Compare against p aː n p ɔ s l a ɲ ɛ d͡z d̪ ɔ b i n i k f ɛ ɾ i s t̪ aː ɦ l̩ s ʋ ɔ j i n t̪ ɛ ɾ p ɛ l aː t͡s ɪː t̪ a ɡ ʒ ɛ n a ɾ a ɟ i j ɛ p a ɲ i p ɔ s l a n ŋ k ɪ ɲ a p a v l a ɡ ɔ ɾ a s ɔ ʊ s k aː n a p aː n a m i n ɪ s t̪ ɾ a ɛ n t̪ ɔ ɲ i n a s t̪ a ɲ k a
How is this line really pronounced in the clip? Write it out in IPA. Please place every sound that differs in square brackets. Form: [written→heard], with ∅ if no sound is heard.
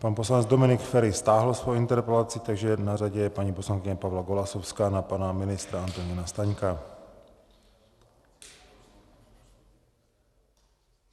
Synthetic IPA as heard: p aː n p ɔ s l a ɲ ɛ d͡z d̪ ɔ [b→m] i n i k f ɛ ɾ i s t̪ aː ɦ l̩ s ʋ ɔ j i n t̪ ɛ ɾ p ɛ l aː t͡s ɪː t̪ a ɡ ʒ ɛ n a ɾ a ɟ [i→ɛ] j ɛ p a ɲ i p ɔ s l a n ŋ k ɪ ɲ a p a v l a ɡ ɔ [ɾ→l] a s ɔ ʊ s k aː n a p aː n a m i n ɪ s t̪ ɾ a [ɛ→a] n t̪ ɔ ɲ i n a s t̪ a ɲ k a